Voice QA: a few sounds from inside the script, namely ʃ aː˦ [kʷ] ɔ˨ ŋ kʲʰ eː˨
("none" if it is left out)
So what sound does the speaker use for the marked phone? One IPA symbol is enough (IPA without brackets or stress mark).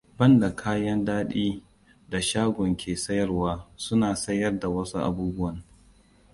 ɡʷ